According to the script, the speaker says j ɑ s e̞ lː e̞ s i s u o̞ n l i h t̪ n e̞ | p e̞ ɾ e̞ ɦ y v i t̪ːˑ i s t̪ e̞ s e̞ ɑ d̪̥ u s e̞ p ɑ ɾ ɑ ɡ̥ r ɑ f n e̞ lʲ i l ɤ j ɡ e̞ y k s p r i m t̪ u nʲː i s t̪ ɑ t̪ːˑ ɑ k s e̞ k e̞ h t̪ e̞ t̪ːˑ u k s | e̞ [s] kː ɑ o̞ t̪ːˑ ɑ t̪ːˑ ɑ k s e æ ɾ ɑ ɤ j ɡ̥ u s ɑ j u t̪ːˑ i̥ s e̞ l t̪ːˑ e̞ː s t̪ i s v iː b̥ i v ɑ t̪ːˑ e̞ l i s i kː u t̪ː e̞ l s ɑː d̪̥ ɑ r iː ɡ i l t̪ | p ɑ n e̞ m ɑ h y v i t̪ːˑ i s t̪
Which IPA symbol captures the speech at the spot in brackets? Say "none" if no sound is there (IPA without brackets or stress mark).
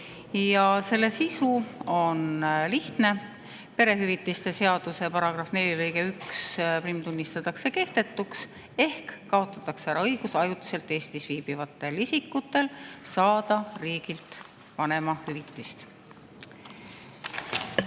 h